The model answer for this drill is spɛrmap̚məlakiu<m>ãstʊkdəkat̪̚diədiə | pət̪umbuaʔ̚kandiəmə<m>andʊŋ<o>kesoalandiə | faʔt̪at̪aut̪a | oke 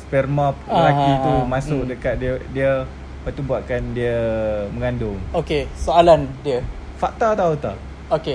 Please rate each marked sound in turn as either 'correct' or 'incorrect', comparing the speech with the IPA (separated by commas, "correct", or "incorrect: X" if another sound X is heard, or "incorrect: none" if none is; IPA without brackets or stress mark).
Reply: correct, incorrect: ŋ, correct